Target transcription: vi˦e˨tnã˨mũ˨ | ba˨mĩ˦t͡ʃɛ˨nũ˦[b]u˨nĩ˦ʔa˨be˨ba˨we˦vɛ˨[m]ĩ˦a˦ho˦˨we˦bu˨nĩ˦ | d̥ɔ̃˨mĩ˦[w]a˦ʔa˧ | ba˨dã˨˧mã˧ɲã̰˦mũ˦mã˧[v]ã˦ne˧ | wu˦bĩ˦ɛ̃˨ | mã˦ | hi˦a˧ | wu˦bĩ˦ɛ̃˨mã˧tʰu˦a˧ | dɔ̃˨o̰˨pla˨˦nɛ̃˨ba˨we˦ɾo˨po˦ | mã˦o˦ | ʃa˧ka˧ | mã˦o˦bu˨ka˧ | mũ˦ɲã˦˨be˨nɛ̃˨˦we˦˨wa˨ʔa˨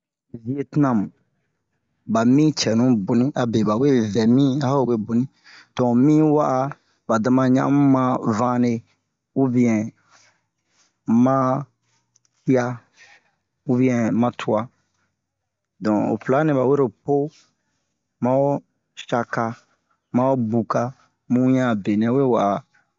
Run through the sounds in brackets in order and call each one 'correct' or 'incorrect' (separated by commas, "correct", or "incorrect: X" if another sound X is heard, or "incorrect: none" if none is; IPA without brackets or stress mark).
correct, correct, correct, correct